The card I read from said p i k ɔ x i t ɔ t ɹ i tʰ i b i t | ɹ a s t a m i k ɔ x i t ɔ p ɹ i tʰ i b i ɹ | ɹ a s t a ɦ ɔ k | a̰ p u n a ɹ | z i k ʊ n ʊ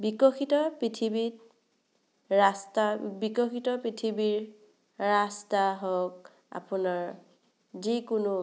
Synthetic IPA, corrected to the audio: b i k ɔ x i t ɔ p ɹ i tʰ i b i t | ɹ a s t a b i k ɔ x i t ɔ p ɹ i tʰ i b i ɹ | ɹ a s t a ɦ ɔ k | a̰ p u n a ɹ | z i k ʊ n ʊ

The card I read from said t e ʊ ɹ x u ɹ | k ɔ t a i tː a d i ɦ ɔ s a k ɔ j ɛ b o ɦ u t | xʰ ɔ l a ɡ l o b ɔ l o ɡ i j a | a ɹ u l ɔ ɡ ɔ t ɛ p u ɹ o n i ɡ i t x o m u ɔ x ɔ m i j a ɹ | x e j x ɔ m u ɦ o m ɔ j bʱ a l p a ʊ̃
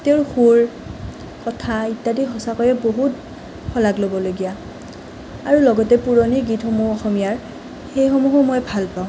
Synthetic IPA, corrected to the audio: t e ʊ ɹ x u ɹ | k ɔ tʰ a i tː a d i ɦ ɔ s a k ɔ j ɛ b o ɦ u t | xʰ ɔ l a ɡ l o b ɔ l o ɡ i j a | a ɹ u l ɔ ɡ ɔ t ɛ p u ɹ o n i ɡ i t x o m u ɔ x ɔ m i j a ɹ | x e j x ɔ m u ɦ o m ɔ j bʱ a l p a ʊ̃

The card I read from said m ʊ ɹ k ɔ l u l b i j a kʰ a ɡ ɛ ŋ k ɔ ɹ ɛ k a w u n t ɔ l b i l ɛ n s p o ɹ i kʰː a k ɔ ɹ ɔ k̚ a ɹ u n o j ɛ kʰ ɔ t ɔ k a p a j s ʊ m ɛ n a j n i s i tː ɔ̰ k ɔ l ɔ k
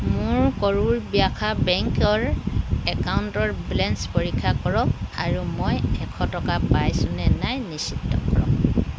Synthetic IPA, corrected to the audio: m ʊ ɹ k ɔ ɹ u ɹ b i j a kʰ a b ɛ ŋ k ɔ ɹ ɛ k a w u n t ɔ ɹ b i l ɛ n s p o ɹ i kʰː a k ɔ ɹ ɔ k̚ a ɹ u m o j ɛ kʰ ɔ t ɔ k a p a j s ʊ n ɛ n a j n i s i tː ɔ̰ k ɔ ɹ ɔ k

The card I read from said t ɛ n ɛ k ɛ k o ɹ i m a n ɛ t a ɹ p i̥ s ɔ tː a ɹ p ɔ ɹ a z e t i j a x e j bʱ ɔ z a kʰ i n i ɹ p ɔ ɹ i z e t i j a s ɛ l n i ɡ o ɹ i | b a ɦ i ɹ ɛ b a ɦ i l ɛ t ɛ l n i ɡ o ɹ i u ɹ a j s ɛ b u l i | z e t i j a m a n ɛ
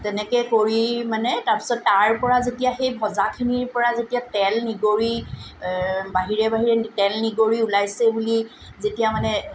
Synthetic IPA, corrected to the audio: t ɛ n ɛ k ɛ k o ɹ i m a n ɛ t a ɹ p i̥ s ɔ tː a ɹ p ɔ ɹ a z e t i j a x e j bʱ ɔ z a kʰ i n i ɹ p ɔ ɹ a z e t i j a t ɛ l n i ɡ o ɹ i | b a ɦ i ɹ ɛ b a ɦ i ɹ ɛ t ɛ l n i ɡ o ɹ i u l a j s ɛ b u l i | z e t i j a m a n ɛ

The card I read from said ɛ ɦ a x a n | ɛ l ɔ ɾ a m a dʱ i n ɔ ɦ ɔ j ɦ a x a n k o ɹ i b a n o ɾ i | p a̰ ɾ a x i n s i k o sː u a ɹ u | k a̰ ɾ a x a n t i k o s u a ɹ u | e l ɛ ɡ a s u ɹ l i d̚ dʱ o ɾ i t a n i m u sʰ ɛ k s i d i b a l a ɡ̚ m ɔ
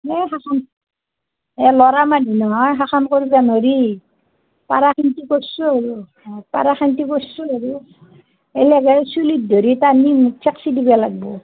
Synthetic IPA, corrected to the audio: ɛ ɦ a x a n | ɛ l ɔ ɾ a m a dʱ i n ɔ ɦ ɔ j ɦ a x a n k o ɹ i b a n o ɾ i | p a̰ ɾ a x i n t i k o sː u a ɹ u | p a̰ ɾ a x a n t i k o s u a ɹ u | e l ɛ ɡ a s u l i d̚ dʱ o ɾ i t a n i m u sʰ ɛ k s i d i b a l a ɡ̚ b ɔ

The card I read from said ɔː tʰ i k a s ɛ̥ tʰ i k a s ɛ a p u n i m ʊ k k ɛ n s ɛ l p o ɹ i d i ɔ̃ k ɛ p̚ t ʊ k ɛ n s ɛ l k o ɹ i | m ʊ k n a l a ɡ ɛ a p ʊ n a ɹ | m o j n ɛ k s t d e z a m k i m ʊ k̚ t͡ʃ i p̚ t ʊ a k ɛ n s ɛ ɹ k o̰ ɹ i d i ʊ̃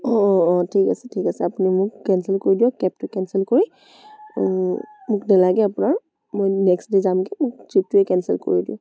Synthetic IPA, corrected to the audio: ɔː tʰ i k a s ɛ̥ tʰ i k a s ɛ a p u n i m ʊ k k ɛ n s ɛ l k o ɹ i d i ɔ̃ k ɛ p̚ t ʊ k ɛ n s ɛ l k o ɹ i | m ʊ k n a l a ɡ ɛ a p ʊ n a ɹ | m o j n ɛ k s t d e z a m k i m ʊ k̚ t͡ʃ i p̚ t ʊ ɛ k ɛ n s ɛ l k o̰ ɹ i d i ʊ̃

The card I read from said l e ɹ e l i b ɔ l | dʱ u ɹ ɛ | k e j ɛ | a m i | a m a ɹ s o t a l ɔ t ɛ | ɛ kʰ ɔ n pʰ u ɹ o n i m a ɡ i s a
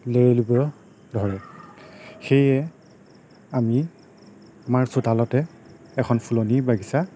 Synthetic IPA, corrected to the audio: l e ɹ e l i b ɔ | dʱ ɔ ɹ ɛ | x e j ɛ | a m i | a m a ɹ s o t a l ɔ t ɛ | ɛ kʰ ɔ n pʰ u l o n i b a ɡ i s a

